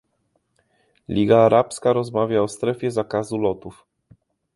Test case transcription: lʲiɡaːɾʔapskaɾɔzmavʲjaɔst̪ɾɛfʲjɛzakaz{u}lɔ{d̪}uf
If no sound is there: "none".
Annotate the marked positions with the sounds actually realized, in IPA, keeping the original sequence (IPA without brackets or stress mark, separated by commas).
u, t̪